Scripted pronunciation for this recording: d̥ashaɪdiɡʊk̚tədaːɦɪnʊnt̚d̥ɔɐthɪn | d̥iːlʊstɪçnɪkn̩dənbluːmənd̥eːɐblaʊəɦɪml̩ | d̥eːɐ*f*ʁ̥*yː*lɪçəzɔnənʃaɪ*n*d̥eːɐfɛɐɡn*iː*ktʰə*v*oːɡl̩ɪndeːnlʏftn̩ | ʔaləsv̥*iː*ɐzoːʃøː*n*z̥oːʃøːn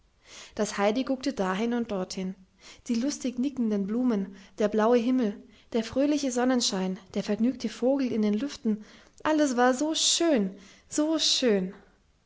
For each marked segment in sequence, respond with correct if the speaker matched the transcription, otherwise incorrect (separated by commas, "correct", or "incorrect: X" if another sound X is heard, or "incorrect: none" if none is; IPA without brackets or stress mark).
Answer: correct, incorrect: øː, correct, incorrect: yː, incorrect: f, incorrect: aː, correct